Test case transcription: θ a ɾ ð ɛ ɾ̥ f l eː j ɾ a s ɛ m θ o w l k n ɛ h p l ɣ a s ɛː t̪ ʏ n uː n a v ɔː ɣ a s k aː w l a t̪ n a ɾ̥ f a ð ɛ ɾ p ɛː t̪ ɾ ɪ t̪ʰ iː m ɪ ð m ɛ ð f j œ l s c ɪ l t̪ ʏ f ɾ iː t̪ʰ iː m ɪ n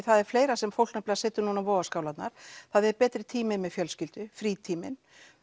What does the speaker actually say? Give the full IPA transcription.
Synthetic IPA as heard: θ a ð ɛ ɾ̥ f l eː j ɾ a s ɛ m f o w l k n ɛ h p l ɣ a s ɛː t̪ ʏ n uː n a v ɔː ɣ a s k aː w l a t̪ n a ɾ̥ θ a ð ɛ ɾ p ɛː t̪ ɾ ɪ t̪ʰ iː m ɪ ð m ɛ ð f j œ l s c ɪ l t̪ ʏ f ɾ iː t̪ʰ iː m ɪ n

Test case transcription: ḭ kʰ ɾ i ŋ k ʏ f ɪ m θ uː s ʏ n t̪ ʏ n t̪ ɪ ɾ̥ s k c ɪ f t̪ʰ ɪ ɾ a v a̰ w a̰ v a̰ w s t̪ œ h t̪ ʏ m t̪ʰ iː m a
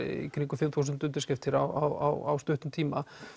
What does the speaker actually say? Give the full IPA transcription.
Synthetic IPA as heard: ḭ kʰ ɾ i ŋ k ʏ f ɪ m θ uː s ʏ n t̪ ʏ n t̪ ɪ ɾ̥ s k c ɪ f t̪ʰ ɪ ɾ a w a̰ w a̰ w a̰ w s t̪ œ h t̪ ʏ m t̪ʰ iː m a

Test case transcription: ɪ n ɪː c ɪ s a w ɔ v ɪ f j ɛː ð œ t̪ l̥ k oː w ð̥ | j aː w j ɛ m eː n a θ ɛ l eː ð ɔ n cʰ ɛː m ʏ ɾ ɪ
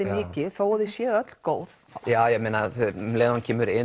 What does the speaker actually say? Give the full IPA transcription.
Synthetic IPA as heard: ɪ m ɪː c ɪ θ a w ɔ ð ɪ s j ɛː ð œ t̪ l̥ k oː w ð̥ | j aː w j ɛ m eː n a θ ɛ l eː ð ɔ n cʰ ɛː m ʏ ɾ ɪ

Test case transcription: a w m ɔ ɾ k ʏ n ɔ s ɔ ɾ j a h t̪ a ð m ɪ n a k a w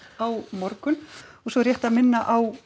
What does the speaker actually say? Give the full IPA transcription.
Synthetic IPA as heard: a w m ɔ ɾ k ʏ n ɔ s ɔ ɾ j ɛ h t̪ a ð m ɪ nː a ʔ a w

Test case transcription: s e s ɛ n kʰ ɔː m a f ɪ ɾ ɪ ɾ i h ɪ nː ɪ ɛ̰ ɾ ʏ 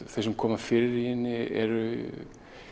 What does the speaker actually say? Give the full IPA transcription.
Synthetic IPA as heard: θ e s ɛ m kʰ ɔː m a f ɪ ɾ ɪ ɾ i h ɪ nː ɪ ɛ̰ ɾ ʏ

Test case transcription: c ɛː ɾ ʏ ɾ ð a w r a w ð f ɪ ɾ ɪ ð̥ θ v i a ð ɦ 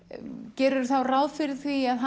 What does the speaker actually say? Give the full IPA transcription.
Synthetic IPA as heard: c ɛː ɾ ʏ ɾ θ a w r a w ð f ɪ ɾ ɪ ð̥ θ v i a ð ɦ

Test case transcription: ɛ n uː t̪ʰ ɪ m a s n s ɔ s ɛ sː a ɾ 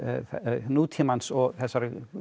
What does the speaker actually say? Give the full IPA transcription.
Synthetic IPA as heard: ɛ n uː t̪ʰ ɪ m a n s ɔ θ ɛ s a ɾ

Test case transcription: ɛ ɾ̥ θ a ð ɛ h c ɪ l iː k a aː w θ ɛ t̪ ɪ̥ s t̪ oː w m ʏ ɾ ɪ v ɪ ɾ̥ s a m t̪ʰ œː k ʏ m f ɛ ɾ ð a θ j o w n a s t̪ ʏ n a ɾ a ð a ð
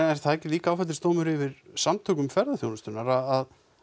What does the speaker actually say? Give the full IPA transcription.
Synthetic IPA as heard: ɛ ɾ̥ θ a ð ɛ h c ɪ l iː k a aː w f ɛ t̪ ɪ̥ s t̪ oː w m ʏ ɾ ɪ v ɪ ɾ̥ s a m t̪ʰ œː k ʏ m f ɛ ɾ ð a θ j o w n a s t̪ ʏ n a ɾ a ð a ð

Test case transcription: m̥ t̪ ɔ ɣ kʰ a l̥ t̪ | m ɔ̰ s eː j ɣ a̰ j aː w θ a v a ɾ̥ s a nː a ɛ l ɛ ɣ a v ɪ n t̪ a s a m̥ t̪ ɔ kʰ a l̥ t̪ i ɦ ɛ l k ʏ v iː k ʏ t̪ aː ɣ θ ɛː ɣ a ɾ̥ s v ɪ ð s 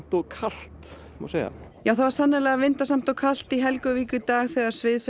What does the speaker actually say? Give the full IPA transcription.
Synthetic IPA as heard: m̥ t̪ ɔ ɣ kʰ a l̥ t̪ | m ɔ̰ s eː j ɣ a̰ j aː w θ a v a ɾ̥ s a nː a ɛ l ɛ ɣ a v ɪ n t̪ a s a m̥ t̪ ɔ kʰ a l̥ t̪ i ɦ ɛ l k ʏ v iː k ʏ t̪ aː ɣ θ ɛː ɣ a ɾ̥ s v ɪ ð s

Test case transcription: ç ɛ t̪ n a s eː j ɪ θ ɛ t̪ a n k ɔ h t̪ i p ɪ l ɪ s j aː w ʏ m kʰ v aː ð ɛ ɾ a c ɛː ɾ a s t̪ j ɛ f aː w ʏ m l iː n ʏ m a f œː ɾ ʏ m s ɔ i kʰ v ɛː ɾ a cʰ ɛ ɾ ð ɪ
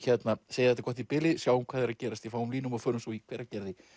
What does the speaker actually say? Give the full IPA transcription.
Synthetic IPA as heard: ç ɛ t̪ n a s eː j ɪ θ ɛ t̪ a k ɔ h t̪ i p ɪ l ɪ s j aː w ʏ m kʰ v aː ð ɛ ɾ a c ɛː ɾ a s t̪ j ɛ f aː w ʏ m l iː n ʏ m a f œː ɾ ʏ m s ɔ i kʰ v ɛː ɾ a c ɛ ɾ ð ɪ

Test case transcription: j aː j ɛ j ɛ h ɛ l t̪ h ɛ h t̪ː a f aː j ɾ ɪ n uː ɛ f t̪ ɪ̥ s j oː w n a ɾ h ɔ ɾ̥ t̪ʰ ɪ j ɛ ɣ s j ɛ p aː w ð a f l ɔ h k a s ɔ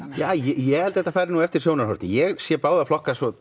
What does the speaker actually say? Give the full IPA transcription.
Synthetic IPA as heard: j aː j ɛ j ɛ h ɛ l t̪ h ɛ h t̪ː a f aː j ɾ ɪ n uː ɛ f t̪ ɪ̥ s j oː w n a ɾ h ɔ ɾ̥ t̪ ɪ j ɛ ɣ s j ɛ p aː w ð a f l ɔ h k a s ɔ

